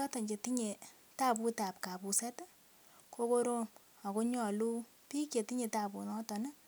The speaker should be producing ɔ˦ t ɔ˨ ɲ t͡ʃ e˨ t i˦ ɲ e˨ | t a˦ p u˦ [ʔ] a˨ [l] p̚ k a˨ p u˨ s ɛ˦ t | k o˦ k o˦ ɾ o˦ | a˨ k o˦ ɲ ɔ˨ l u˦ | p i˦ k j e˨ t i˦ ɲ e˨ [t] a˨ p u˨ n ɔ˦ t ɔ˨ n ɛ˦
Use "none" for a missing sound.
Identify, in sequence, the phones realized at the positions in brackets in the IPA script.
t, none, t

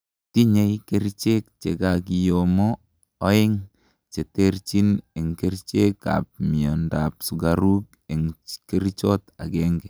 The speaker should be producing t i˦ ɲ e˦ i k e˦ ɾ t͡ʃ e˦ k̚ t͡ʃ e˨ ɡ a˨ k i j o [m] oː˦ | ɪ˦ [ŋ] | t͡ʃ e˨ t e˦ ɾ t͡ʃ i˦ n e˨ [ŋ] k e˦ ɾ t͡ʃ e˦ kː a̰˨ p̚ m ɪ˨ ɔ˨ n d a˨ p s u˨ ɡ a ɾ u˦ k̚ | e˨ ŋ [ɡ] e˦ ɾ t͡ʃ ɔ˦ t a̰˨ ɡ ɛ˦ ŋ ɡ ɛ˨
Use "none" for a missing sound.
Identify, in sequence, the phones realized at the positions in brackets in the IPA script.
m, ŋ, ŋ, k

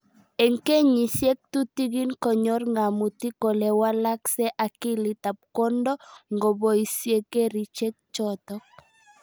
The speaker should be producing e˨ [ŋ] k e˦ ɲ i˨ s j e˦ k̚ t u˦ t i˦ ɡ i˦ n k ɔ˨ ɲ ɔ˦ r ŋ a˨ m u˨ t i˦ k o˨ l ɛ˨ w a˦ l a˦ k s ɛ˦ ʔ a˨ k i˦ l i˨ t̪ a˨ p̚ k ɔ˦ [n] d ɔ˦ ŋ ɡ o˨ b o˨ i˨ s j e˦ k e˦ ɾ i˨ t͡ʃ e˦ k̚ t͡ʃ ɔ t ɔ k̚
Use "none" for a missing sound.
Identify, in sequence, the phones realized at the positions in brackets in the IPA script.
ŋ, n

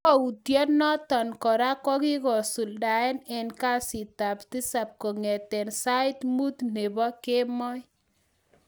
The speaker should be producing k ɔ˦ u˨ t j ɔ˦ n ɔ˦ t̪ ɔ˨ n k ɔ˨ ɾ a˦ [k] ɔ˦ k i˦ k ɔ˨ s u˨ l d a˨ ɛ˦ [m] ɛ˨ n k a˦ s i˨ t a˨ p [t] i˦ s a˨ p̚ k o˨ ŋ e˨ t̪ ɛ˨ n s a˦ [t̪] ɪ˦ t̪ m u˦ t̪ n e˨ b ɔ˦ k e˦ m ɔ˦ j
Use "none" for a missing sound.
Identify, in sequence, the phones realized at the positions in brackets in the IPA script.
k, n, t, none

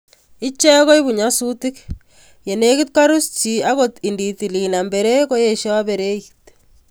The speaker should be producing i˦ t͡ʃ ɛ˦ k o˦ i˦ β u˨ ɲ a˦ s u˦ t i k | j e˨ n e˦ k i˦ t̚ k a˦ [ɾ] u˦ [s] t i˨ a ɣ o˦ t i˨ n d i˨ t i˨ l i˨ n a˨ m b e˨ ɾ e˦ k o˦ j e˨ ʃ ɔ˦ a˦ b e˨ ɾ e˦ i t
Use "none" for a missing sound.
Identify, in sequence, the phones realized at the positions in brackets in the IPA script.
ɾ, s

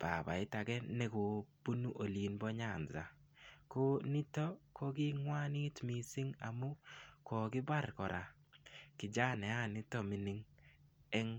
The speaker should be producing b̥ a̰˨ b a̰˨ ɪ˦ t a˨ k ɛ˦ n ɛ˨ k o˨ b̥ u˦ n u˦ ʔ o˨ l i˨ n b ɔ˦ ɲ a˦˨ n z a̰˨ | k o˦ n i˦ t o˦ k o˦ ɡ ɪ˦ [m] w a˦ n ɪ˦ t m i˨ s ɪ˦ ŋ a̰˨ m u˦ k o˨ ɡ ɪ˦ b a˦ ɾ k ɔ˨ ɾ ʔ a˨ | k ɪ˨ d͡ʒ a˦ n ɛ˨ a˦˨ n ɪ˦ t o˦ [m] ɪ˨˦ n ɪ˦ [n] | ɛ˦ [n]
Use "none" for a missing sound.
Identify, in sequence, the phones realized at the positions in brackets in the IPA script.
ŋ, m, ŋ, ŋ

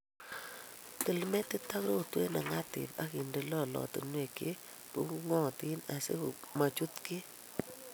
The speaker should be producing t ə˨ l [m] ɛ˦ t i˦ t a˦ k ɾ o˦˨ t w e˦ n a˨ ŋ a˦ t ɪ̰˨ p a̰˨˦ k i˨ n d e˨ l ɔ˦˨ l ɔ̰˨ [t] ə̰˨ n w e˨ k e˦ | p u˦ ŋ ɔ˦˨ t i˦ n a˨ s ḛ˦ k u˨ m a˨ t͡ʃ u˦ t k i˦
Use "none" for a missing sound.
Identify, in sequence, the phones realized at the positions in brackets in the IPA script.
m, t

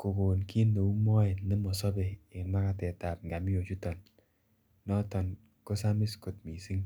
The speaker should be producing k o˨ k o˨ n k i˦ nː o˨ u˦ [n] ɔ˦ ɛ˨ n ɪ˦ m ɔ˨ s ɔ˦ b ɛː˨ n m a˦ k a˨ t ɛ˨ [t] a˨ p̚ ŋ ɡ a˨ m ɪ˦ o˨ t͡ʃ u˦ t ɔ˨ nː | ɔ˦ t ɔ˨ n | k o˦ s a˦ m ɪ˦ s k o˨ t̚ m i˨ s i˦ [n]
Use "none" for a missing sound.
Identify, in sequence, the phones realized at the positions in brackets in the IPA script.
m, t, ŋ

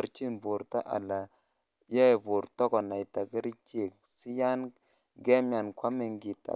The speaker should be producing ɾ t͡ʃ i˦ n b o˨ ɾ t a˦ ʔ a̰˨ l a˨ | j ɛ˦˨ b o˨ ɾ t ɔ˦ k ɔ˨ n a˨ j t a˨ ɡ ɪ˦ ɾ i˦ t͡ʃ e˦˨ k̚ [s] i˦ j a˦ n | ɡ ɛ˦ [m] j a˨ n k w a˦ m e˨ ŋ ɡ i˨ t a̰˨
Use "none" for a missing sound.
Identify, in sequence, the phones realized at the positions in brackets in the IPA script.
s, m

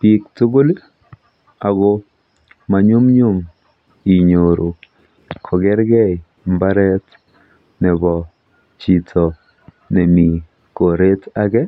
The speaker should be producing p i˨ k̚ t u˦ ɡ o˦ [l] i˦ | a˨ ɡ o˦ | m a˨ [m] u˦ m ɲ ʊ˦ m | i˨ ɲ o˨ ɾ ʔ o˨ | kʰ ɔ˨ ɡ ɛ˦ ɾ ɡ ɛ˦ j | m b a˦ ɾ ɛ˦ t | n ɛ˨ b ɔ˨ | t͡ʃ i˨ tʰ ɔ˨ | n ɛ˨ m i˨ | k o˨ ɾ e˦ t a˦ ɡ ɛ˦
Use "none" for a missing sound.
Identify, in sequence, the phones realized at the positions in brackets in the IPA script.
l, ɲ

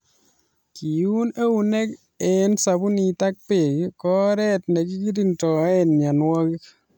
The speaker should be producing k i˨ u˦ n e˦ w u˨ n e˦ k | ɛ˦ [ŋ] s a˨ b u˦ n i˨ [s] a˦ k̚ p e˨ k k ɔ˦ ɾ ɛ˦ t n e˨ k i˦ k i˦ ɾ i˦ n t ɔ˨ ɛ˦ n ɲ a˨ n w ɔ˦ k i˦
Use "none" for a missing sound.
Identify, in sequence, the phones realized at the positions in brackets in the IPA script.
n, t

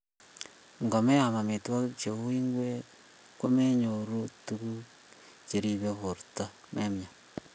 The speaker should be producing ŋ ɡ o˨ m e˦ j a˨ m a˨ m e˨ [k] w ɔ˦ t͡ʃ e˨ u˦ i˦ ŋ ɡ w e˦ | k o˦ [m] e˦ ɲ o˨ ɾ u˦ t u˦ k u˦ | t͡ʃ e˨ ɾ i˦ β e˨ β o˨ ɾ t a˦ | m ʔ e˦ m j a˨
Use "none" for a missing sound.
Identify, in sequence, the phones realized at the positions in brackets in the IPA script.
t, m

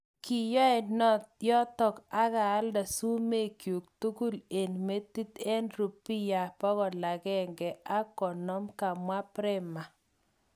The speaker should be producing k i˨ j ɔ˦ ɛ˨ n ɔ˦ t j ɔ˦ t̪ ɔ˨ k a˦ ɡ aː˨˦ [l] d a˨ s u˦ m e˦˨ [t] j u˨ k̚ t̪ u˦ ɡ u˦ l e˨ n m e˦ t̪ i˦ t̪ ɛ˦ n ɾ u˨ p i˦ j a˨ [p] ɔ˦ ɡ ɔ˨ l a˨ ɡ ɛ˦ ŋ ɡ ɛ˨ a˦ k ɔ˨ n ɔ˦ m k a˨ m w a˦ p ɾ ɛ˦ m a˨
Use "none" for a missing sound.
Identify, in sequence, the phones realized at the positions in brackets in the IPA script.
l, k, p

